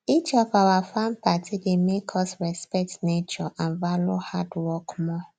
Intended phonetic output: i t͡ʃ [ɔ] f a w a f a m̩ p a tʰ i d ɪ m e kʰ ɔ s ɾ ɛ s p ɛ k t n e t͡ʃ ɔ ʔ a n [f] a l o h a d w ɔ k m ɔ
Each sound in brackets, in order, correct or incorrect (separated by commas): correct, incorrect